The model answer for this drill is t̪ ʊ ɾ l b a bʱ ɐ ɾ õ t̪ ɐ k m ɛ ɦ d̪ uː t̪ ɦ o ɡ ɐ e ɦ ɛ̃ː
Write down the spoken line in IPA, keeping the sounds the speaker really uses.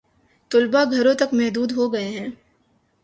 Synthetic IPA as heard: t̪ ʊ l b a ɡʱ ɐ ɾ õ t̪ ɐ k m ɛ ɦ d̪ uː d̪ ɦ o ɡ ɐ e ɦ ɛ̃ː